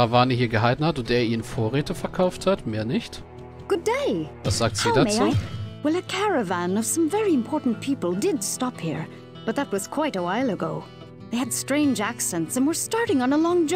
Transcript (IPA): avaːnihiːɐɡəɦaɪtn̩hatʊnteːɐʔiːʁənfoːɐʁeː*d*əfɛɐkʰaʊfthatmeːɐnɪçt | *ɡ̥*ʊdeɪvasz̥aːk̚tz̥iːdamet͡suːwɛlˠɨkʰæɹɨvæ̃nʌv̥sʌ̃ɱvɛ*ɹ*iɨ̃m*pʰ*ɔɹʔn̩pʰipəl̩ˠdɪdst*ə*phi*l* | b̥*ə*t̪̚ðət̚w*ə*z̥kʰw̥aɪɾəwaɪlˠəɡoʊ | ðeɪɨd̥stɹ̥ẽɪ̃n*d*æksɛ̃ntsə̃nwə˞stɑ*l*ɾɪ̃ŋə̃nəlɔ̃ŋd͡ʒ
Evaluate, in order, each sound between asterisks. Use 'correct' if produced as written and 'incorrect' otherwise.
incorrect: t, correct, correct, correct, incorrect: ɑ, incorrect: ɹ, incorrect: ʌ, incorrect: ʌ, incorrect: d͡ʒ, incorrect: ɹ

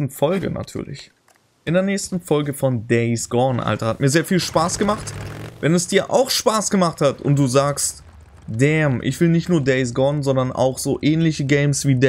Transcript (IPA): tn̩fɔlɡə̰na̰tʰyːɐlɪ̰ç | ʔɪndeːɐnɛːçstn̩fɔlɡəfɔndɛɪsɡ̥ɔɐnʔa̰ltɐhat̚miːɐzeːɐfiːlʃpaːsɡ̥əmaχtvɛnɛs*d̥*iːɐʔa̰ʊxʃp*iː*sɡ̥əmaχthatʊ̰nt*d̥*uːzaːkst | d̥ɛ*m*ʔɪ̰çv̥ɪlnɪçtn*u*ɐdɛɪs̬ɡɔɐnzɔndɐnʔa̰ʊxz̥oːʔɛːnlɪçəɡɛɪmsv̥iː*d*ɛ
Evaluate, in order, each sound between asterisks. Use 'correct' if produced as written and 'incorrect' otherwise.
correct, incorrect: aː, correct, correct, incorrect: uː, correct

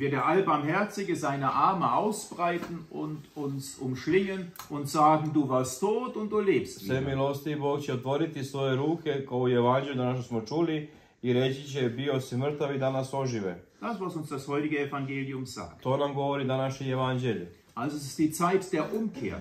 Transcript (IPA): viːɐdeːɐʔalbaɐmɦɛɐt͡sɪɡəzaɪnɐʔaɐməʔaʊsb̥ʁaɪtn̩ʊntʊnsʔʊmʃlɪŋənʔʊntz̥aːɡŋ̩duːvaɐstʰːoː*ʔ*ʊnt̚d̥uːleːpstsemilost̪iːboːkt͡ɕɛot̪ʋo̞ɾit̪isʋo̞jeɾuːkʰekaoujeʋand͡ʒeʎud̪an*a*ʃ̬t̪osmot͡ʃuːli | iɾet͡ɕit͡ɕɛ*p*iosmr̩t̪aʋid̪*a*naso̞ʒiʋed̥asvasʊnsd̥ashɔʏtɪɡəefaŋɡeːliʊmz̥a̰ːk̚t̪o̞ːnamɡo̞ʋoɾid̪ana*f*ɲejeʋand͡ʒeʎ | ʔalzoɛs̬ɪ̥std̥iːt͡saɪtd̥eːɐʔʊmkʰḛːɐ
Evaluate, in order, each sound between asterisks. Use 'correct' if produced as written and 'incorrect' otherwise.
incorrect: t, correct, incorrect: b, correct, incorrect: ʃ

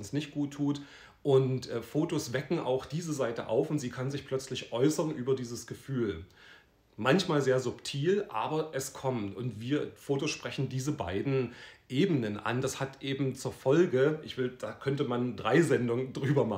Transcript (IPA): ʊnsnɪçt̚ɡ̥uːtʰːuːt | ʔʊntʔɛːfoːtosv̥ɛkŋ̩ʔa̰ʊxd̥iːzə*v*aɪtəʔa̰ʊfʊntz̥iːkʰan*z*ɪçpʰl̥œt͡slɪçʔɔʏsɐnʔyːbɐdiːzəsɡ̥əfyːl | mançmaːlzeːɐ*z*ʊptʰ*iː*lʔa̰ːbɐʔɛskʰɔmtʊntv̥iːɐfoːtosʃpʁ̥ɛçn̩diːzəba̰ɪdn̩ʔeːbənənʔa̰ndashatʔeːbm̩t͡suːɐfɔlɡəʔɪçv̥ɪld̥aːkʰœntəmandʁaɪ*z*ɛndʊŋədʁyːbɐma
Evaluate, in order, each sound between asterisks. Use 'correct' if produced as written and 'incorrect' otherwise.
incorrect: z, correct, correct, correct, correct

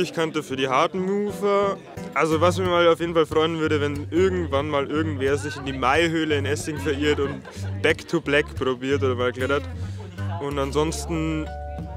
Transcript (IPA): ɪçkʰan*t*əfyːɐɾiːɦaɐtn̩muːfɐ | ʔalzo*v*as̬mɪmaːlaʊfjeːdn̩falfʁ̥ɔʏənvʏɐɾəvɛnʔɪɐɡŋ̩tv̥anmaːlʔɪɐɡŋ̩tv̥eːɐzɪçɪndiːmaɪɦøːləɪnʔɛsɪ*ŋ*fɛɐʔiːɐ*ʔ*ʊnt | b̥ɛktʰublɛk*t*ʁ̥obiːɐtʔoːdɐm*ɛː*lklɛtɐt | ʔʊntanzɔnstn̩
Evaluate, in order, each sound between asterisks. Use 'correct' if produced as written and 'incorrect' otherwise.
correct, correct, correct, incorrect: t, incorrect: p, incorrect: aː

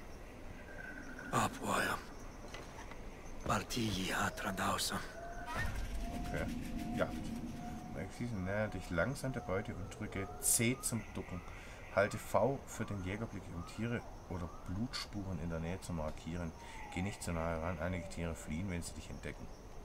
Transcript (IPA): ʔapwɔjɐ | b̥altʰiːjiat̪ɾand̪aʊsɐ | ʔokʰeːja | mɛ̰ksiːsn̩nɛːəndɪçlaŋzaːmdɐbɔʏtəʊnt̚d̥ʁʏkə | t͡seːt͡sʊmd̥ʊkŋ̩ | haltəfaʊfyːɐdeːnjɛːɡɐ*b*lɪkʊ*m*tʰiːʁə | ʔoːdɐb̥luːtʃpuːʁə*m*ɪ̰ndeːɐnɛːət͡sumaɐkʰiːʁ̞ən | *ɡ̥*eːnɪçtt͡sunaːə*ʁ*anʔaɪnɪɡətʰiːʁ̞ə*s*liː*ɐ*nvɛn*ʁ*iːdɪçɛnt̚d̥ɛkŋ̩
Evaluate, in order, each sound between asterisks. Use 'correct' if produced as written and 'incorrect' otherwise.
correct, correct, incorrect: n, correct, correct, incorrect: f, incorrect: ə, incorrect: z

